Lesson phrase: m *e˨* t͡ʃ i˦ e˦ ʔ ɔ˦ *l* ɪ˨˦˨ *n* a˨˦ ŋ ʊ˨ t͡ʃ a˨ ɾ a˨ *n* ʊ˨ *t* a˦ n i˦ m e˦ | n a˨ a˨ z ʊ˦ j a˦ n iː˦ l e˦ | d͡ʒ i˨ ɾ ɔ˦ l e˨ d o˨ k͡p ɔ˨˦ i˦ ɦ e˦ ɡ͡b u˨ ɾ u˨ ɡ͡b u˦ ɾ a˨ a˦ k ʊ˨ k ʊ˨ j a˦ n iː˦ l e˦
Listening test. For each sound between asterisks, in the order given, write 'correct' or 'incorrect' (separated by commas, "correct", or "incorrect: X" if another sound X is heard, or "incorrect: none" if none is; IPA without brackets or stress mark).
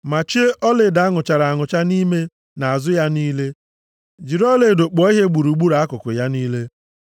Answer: incorrect: a˨, correct, incorrect: d, incorrect: ŋ, incorrect: t͡ʃ